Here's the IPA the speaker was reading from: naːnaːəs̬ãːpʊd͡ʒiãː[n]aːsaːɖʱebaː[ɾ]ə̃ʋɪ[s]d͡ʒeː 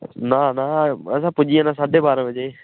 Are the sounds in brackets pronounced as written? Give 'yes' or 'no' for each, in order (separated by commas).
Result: yes, yes, no